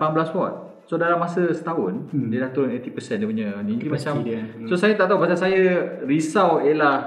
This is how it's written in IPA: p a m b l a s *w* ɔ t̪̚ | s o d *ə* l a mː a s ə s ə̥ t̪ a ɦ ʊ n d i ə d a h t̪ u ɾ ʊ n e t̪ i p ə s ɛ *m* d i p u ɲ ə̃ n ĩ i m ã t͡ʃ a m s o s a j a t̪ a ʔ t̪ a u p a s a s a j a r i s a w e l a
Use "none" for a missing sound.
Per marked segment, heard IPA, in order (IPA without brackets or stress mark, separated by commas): w, a, n